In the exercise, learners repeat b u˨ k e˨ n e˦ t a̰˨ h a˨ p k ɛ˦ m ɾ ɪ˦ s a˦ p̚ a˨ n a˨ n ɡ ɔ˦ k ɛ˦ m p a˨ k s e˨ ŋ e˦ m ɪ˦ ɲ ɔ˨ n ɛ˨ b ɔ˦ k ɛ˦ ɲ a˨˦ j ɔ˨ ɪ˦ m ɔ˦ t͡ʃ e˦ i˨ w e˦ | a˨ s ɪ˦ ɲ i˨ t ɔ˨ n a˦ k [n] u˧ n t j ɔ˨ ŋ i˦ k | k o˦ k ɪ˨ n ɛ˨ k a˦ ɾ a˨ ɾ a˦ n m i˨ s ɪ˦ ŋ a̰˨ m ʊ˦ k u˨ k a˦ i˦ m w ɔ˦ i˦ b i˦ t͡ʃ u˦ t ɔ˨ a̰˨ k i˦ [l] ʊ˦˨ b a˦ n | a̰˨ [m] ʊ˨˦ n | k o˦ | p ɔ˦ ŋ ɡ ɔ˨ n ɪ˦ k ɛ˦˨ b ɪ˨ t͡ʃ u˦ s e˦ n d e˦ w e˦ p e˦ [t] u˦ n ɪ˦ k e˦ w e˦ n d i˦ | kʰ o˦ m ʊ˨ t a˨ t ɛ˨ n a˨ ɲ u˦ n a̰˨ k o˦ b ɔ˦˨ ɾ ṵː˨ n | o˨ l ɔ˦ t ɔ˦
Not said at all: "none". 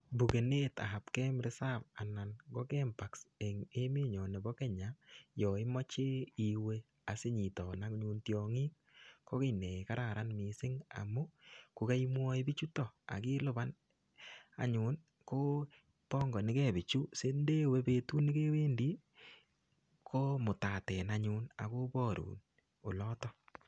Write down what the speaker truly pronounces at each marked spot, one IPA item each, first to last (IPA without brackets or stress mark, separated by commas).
ɲ, l, ɲ, t